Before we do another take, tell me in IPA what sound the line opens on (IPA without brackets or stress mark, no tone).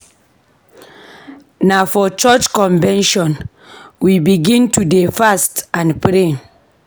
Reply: n